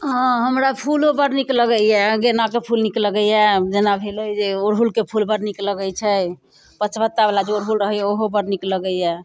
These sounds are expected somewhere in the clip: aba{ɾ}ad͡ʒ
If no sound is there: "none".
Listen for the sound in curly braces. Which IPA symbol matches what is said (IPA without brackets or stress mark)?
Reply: l